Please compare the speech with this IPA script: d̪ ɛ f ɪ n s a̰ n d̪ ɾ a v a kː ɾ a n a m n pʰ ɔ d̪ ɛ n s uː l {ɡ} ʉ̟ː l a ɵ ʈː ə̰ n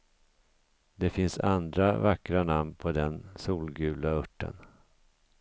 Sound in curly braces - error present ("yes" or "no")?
no